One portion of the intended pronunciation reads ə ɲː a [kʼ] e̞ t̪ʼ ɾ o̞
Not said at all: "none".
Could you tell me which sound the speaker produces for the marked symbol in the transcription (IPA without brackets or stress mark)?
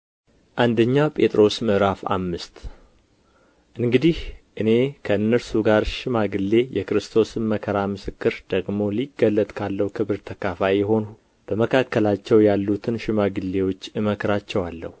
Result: pʼ